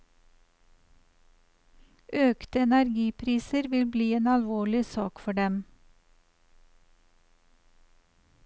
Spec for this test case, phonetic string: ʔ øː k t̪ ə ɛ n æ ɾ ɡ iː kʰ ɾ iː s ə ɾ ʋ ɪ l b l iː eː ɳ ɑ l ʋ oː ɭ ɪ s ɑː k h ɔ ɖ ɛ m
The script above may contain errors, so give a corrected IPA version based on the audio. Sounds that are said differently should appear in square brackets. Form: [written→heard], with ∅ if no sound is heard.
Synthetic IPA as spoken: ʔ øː k t̪ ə ɛ n æ ɾ ɡ iː [kʰ→pʰ] ɾ iː s ə ɾ ʋ ɪ l b l iː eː [ɳ→n] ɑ l ʋ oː ɭ ɪ s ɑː k [h→f] ɔ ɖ ɛ m